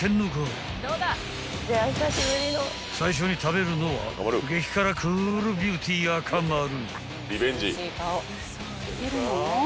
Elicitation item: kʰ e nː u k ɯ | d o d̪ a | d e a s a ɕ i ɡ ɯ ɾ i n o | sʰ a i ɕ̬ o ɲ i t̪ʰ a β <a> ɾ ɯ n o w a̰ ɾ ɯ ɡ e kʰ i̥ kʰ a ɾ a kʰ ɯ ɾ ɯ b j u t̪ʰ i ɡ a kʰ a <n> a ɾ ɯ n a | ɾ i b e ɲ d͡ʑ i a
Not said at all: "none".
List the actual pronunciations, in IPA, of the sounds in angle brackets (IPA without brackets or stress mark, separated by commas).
e, m